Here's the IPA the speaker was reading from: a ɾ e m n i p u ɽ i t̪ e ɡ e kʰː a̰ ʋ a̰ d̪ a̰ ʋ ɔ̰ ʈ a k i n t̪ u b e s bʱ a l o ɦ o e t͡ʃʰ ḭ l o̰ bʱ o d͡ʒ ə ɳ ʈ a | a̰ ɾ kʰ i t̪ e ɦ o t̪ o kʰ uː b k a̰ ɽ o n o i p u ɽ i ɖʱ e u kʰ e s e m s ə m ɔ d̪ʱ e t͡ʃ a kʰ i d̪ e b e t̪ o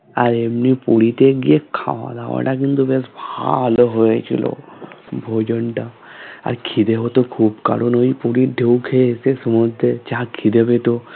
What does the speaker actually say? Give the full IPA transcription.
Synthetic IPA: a ɾ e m n i p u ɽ i t̪ e ɡ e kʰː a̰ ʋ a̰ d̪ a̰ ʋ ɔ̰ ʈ a k i n t̪ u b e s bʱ a l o ɦ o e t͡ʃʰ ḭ l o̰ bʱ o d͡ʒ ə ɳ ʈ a | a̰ ɾ kʰ i d̪ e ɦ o t̪ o kʰ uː b k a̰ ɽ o n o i p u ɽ i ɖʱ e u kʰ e s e s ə m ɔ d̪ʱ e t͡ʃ a kʰ i d̪ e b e t̪ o